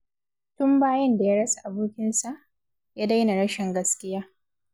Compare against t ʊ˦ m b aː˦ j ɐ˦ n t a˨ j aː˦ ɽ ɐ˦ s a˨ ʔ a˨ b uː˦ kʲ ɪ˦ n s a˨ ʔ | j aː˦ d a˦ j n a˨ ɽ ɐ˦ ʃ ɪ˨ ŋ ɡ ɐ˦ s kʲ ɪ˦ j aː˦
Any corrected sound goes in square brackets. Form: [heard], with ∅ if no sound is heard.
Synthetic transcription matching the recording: t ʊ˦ m b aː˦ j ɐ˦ n [d] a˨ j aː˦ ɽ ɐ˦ s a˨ ʔ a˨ b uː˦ kʲ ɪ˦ n s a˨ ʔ | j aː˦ d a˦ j n a˨ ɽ ɐ˦ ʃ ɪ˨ ŋ ɡ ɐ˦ s kʲ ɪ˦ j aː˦